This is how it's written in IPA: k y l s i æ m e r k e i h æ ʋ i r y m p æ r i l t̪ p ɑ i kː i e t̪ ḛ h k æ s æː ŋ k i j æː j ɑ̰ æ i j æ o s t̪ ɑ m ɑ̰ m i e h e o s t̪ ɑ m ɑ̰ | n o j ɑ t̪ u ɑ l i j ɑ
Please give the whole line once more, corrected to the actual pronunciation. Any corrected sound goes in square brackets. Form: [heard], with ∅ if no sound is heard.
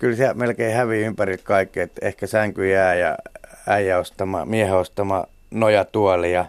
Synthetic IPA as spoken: k y l s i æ m e [l] k e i h æ ʋ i [∅] y m p æ r i l t̪ [k] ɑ i kː i e t̪ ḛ h k æ s [æ] ŋ k [y] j æː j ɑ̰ æ i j æ o s t̪ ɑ m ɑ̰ m i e h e o s t̪ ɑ m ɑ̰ | n o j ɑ t̪ u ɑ l i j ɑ